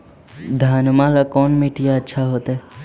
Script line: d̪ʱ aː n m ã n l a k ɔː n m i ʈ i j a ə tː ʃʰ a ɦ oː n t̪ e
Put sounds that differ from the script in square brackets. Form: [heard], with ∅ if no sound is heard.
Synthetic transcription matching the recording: d̪ʱ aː n m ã [∅] l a k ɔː n m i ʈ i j a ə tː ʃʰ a ɦ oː [∅] t̪ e